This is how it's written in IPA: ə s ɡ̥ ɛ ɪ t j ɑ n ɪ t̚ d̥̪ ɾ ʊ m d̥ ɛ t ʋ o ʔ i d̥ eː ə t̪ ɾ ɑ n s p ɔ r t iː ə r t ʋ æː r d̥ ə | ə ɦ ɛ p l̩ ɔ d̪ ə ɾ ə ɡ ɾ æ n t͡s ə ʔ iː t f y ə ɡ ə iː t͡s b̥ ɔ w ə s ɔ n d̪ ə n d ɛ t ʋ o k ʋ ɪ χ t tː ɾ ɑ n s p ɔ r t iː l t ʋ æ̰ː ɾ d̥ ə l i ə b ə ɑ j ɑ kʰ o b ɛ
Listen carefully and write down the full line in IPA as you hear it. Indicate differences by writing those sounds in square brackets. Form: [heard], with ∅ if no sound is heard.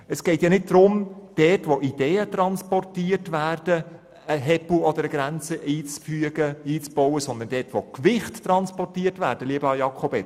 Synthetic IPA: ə s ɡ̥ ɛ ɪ t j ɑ n ɪ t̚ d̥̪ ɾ ʊ m d̥ ɛ t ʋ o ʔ i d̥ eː ə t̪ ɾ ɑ n s p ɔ r t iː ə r t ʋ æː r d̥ ə | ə ɦ ɛ p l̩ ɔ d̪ ə ɾ ə ɡ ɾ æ n t͡s ə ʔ iː [t͡s] f y ə ɡ ə iː t͡s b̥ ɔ w ə s ɔ n d̪ ə n d ɛ t ʋ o k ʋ ɪ χ t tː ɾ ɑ n s p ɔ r t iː [∅] t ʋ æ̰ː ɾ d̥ ə l i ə b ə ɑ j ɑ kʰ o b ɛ

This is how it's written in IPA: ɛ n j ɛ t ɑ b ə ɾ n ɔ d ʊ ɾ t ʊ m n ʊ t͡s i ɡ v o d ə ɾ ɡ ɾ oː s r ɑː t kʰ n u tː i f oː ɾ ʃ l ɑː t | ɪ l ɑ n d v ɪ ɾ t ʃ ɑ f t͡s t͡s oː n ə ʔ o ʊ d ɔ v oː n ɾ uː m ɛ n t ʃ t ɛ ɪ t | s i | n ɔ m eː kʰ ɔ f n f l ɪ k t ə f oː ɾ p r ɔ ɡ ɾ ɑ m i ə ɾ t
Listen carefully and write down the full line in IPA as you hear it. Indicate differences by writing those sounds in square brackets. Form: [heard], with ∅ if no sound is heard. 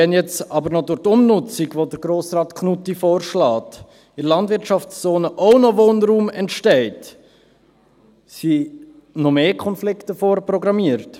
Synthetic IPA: ɛ n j ɛ [t͡s] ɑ b ə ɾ n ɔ d ʊ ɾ t ʊ m n ʊ t͡s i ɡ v o d ə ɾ ɡ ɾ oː s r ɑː t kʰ n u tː i f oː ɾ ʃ l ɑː t | ɪ l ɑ n d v ɪ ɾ t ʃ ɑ f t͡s t͡s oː n ə ʔ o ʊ [n] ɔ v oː n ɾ uː m ɛ n t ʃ t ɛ ɪ t | s i | n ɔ m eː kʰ ɔ [∅] n f l ɪ k t ə f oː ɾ p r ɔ ɡ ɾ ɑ m i ə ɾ t

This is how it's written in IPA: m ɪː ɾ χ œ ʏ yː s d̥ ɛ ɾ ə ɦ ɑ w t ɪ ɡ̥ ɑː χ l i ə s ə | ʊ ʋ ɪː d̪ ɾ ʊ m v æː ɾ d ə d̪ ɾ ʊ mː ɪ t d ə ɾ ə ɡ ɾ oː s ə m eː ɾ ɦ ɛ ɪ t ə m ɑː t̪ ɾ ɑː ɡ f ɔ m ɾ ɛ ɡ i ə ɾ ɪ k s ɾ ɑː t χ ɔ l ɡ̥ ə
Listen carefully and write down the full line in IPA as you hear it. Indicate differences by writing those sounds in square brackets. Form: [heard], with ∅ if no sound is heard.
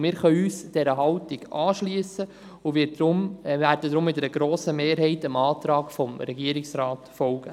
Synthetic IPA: m ɪː ɾ χ œ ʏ yː s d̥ ɛ ɾ ə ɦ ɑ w t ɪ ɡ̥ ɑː [ʃ] l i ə s ə | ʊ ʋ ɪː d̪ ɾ ʊ m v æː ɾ d ə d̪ ɾ ʊ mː ɪ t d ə ɾ ə ɡ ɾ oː s ə m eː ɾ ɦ ɛ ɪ t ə m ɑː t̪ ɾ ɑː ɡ f ɔ m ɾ ɛ ɡ i ə ɾ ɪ k s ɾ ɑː t [f] ɔ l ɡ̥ ə

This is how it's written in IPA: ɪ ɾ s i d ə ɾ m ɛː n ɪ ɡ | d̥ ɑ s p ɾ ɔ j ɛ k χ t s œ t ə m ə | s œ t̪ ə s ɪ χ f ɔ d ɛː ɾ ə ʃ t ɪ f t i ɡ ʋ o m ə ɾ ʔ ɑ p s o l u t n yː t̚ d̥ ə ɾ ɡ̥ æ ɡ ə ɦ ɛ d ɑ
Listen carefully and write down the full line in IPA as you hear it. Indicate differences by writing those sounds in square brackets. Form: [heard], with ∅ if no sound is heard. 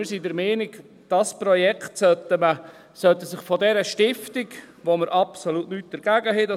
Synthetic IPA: ɪ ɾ s i d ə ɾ m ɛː n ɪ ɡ | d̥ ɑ s p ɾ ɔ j ɛ k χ t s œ t ə m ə | s œ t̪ ə s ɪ χ f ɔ d [ɛ] ɾ ə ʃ t ɪ f t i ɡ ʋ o m ə ɾ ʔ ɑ p s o l u t n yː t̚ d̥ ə ɾ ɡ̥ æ ɡ ə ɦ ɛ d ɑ

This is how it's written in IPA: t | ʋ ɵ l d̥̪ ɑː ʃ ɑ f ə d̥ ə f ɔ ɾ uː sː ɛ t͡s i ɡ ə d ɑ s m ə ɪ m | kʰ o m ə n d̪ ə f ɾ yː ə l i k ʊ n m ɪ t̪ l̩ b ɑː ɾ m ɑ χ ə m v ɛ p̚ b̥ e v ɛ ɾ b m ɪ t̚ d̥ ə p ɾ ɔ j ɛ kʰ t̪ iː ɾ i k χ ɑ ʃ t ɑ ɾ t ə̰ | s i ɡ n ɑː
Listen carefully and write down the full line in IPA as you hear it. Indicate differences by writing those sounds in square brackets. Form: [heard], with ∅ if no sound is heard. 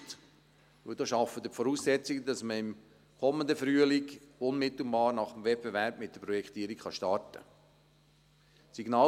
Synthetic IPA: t | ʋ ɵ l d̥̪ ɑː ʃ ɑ f ə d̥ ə f ɔ ɾ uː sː ɛ t͡s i ɡ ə d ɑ s m ə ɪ m | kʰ [ɔ] m ə n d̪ ə f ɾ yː ə l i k ʊ n m ɪ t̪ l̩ b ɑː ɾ [n] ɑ χ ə m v ɛ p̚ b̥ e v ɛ ɾ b m ɪ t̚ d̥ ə p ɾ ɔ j ɛ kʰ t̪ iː ɾ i k χ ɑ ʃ t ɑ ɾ t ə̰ | s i ɡ n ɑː

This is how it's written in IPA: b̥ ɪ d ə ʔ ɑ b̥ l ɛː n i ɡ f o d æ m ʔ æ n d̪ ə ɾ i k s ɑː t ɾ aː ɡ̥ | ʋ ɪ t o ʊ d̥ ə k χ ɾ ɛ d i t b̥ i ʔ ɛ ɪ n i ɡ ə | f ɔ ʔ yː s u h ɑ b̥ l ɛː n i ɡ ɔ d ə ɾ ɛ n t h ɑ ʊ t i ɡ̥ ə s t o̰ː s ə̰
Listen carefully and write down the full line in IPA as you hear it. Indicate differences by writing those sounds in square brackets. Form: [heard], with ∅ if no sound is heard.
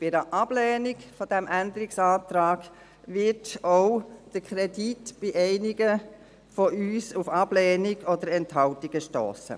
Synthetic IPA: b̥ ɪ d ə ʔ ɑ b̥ l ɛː n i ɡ f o d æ m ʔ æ n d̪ ə ɾ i k s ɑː t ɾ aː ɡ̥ | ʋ ɪ t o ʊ d̥ ə k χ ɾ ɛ d i t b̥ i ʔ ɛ ɪ n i ɡ ə | f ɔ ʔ yː s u [f] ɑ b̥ l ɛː n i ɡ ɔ d ə ɾ ɛ n t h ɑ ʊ t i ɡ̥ ə [ʃ] t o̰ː s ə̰

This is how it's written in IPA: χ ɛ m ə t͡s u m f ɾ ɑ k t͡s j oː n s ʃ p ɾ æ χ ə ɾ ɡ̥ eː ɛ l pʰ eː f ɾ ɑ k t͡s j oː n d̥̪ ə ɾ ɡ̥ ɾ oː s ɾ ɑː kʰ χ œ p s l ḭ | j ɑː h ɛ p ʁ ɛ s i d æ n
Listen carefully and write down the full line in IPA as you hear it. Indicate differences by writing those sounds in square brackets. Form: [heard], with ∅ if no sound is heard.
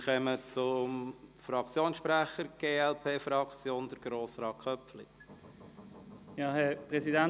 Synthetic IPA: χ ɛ m ə t͡s [ʊ] m f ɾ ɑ k t͡s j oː n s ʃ p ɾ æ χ ə ɾ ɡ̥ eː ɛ l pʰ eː f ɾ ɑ k t͡s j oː n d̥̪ ə ɾ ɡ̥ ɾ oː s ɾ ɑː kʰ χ œ p [f] l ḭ | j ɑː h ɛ p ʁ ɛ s i d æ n

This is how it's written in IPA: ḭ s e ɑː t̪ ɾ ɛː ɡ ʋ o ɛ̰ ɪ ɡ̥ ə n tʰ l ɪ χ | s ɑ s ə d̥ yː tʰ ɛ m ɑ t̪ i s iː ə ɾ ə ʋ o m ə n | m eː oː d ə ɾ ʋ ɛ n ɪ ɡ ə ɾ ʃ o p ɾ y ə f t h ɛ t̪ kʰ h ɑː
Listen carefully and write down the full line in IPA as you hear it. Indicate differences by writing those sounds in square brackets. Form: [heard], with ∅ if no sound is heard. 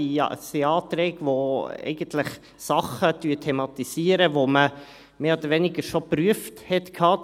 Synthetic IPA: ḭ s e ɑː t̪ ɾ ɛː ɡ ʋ o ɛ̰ ɪ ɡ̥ ə n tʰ l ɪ χ | s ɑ [χ] ə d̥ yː tʰ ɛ m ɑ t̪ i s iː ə ɾ ə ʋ o m ə [∅] | m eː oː d ə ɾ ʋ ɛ n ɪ ɡ ə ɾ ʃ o p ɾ y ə f t h ɛ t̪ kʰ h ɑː

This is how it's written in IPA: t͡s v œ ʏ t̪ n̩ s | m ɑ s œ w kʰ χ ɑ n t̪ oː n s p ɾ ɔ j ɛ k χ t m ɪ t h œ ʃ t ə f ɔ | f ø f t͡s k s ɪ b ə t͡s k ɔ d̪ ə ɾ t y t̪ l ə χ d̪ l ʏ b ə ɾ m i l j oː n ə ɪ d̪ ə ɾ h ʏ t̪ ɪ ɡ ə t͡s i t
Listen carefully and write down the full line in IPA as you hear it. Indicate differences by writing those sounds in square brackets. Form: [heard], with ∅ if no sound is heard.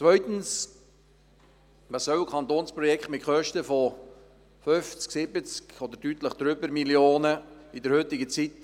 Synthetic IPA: t͡s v œ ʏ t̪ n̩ s | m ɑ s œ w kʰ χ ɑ n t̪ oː n s p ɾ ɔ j ɛ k χ t m ɪ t [χ] œ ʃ t ə f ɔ | f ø f t͡s k s ɪ b ə t͡s k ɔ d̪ ə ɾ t y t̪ l ə χ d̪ [ɾ] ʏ b ə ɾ m i l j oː n ə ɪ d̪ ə ɾ h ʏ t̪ ɪ ɡ ə t͡s i t

